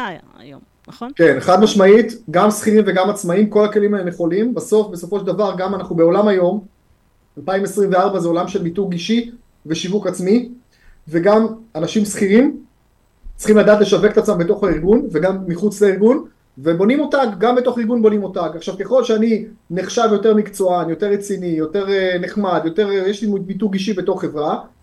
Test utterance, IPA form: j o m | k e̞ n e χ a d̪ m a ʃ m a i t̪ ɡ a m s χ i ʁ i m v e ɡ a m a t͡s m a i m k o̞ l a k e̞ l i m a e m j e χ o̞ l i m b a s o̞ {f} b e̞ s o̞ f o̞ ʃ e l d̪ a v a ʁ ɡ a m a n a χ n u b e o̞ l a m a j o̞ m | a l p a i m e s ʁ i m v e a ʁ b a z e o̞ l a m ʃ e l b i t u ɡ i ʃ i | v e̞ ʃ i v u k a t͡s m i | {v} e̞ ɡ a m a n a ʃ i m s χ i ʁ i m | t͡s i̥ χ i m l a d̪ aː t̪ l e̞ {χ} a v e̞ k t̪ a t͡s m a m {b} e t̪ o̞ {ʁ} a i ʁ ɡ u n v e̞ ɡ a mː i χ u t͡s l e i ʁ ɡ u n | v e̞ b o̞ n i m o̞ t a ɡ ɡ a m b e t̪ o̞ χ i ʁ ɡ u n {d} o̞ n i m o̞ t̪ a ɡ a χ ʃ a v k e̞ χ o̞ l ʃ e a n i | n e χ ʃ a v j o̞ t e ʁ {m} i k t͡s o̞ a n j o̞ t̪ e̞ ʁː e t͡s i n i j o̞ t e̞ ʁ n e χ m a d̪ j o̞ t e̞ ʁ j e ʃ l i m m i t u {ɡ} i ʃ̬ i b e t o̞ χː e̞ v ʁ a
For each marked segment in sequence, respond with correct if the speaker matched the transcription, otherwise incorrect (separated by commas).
correct, correct, incorrect, correct, incorrect, incorrect, correct, correct